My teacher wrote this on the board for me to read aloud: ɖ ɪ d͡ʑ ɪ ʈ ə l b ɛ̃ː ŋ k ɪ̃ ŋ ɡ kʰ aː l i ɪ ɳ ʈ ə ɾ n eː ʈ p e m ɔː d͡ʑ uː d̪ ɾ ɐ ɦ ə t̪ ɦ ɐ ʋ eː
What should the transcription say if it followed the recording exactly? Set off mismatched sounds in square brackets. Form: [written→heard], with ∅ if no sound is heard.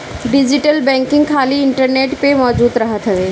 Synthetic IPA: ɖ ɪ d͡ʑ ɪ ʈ ə l b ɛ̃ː ŋ k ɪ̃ ŋ ɡ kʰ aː l i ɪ ɳ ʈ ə ɾ n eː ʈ p e m ɔː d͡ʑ uː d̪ ɾ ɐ ɦ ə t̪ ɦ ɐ ʋ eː